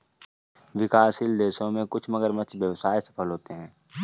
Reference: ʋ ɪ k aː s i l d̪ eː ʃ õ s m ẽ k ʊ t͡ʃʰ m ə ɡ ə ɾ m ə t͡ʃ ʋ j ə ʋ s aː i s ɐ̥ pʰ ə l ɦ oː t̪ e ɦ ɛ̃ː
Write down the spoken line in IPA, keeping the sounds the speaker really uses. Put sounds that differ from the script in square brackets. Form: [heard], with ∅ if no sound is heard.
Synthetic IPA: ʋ ɪ k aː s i l d̪ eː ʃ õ [∅] m ẽ k ʊ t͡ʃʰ m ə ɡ ə ɾ m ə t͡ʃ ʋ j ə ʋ s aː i s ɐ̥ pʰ ə l ɦ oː t̪ e ɦ ɛ̃ː

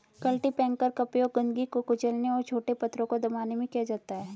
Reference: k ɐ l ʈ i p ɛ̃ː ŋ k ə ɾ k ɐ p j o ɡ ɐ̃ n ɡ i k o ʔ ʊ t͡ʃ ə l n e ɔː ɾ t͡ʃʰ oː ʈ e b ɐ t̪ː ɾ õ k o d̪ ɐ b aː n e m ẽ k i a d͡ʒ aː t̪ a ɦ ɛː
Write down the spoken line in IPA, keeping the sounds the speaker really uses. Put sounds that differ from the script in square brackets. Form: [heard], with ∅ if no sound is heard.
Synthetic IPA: k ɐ l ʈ i p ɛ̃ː ŋ k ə ɾ k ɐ p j o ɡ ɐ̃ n ɡ i k o [k] ʊ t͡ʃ ə l n e ɔː ɾ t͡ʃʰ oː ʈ e [p] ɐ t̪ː ɾ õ k o d̪ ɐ [m] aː n e m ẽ k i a d͡ʒ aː t̪ a ɦ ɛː

